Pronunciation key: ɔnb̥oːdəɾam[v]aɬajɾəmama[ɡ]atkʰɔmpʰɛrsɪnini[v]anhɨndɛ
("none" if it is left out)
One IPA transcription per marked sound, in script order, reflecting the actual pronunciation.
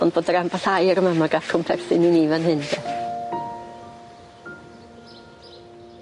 b, ɡ, v

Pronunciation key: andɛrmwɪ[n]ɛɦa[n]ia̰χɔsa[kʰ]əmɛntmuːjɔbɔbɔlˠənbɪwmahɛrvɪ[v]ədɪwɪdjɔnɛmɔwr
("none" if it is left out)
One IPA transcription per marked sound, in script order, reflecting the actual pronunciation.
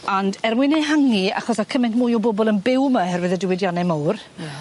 n, ŋ, kʰ, ð

